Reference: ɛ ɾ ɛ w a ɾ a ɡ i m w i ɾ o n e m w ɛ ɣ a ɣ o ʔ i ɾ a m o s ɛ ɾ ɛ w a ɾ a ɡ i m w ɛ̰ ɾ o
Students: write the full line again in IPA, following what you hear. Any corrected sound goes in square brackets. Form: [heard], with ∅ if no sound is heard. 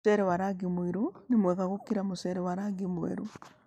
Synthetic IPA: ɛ ɾ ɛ w a ɾ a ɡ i m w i ɾ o n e m w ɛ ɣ a ɣ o [k] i ɾ a m o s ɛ ɾ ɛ w a ɾ a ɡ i m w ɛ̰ ɾ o